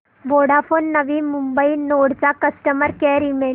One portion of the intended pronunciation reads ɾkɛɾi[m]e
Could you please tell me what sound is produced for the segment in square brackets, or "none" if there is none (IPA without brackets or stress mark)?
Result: m